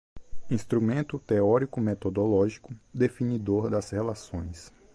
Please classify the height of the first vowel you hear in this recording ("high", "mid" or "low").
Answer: high